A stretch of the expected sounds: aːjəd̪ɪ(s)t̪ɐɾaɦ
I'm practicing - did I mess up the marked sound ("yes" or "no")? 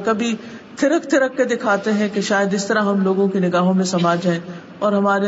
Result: no